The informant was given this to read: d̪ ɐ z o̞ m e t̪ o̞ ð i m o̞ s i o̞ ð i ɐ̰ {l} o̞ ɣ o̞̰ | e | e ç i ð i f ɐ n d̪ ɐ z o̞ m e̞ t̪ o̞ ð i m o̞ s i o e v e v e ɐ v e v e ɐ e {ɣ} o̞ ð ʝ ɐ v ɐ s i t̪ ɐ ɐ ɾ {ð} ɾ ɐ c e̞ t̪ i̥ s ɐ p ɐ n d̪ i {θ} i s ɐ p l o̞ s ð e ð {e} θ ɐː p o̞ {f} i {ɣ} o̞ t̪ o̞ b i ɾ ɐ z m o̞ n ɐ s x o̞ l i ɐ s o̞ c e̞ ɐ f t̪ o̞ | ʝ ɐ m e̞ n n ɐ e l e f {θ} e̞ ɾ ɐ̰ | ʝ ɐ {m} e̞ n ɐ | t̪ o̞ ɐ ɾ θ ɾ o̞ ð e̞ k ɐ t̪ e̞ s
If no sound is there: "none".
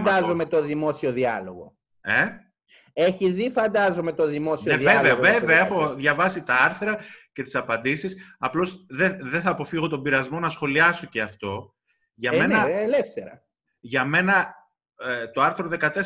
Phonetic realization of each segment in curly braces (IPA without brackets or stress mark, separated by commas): l, x, θ, s, e, f, ɣ, θ, m